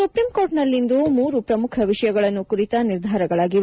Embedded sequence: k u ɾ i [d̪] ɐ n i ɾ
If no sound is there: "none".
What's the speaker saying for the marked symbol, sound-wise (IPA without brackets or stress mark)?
t̪